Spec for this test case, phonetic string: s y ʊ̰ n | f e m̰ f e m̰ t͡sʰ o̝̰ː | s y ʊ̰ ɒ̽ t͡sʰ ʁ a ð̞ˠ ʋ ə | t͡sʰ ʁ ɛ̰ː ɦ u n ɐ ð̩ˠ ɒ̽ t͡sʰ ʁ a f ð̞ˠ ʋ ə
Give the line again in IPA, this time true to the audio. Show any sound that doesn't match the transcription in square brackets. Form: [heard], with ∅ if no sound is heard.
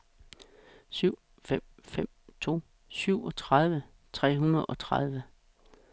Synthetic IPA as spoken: s y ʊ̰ [∅] | f e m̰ f e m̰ t͡sʰ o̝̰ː | s y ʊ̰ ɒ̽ t͡sʰ ʁ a ð̞ˠ ʋ ə | t͡sʰ ʁ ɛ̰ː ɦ u n ɐ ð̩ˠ ɒ̽ t͡sʰ ʁ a [∅] ð̞ˠ ʋ ə